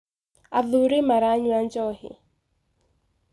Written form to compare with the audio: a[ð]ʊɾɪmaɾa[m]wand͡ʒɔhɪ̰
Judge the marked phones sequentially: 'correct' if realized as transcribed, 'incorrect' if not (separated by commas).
correct, incorrect